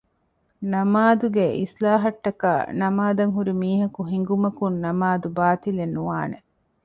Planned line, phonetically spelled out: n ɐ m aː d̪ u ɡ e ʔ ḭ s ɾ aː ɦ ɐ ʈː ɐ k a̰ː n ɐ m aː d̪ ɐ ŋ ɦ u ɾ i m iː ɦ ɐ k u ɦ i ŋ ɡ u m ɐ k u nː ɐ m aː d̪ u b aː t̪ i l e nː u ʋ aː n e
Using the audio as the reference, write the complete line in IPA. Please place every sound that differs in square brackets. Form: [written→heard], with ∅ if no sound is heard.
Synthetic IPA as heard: n ɐ m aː d̪ u ɡ e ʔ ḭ s [ɾ→l] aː ɦ ɐ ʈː ɐ k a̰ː n ɐ m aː d̪ ɐ ŋ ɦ u ɾ i m iː ɦ ɐ k u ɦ i ŋ ɡ u m ɐ k u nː ɐ m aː d̪ u b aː t̪ i l e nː u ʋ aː n e

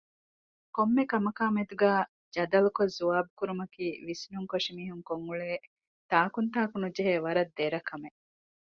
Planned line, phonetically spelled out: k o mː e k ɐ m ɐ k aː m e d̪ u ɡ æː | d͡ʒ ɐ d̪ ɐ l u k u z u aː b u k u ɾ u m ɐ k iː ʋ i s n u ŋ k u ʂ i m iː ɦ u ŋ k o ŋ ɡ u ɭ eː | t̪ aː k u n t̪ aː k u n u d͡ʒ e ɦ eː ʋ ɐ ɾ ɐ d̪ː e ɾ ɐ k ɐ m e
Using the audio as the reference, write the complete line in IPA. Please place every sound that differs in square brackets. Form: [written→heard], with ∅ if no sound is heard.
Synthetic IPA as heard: k o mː e k ɐ m ɐ k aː m e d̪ u ɡ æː | d͡ʒ ɐ d̪ ɐ l u k [u→o] z u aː b u k u ɾ u m ɐ k iː ʋ i s n u ŋ k [u→o] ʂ i m iː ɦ u ŋ k o ŋ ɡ u ɭ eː | t̪ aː k u n t̪ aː k u n u d͡ʒ e ɦ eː ʋ ɐ ɾ ɐ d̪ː e ɾ ɐ k ɐ m e

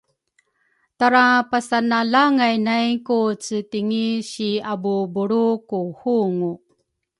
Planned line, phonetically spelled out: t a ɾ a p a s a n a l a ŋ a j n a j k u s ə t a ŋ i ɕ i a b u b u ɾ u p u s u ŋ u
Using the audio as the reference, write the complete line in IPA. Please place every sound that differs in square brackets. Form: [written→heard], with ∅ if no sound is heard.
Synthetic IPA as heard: t a ɾ a p a s a n a l a ŋ a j n a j k u [s→t͡s] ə t [a→i] ŋ i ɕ i a b u b u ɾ u [p→k] u [s→h] u ŋ u

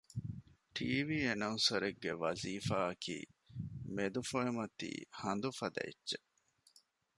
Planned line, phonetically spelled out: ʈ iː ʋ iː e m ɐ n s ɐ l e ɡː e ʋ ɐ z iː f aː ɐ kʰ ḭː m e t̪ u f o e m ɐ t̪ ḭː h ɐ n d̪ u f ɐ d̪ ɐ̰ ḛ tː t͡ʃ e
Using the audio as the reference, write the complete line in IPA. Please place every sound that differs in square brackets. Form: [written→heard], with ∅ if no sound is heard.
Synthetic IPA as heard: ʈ iː ʋ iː e [m→n] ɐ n s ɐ [l→ɾ] e ɡː e ʋ ɐ z iː f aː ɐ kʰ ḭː m e [t̪→d̪] u f o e m ɐ t̪ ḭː h ɐ n d̪ u f ɐ d̪ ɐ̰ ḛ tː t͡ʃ e

